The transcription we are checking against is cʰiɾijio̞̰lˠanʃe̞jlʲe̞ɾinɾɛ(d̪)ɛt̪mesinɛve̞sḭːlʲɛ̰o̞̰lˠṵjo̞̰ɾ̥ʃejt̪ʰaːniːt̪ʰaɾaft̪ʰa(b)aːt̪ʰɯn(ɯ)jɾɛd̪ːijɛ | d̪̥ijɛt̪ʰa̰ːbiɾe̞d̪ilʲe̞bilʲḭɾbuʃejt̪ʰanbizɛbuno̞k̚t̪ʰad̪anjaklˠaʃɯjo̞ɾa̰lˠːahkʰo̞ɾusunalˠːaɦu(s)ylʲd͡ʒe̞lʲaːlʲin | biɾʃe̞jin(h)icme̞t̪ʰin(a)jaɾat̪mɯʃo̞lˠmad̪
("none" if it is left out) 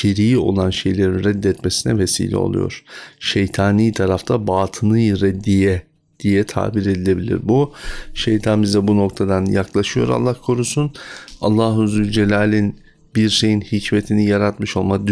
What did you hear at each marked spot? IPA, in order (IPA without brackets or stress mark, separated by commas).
d̪ː, b, ɯ, z, h, i